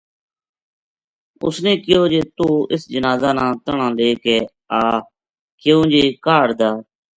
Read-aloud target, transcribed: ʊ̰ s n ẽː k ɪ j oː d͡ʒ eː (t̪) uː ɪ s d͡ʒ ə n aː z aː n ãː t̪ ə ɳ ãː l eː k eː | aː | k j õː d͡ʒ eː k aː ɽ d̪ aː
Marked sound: correct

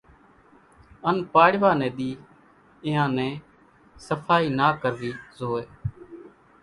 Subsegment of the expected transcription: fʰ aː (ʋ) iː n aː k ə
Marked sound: incorrect: none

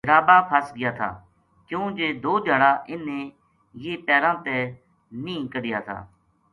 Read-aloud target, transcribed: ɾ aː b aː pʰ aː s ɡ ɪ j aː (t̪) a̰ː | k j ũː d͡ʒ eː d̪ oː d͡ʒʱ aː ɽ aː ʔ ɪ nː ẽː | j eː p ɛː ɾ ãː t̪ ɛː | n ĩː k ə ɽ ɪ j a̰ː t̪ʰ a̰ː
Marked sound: incorrect: t̪ʰ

